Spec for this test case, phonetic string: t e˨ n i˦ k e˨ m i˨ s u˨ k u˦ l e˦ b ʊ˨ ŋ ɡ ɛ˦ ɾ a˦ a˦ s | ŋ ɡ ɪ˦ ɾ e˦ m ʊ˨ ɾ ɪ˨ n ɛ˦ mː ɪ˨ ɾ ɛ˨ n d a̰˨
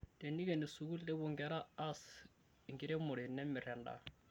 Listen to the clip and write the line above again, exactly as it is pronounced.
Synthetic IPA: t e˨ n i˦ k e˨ n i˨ s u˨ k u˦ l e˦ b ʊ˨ ŋ ɡ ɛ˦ ɾ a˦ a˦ s | ŋ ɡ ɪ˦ ɾ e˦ m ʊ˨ ɾ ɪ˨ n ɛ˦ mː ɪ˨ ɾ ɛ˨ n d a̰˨